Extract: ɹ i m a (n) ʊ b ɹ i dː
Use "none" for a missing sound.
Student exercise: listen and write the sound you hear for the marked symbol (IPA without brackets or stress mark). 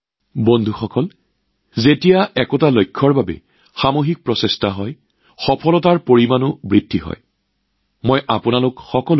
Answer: n